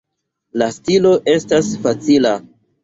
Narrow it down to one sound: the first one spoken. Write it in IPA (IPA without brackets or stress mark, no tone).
l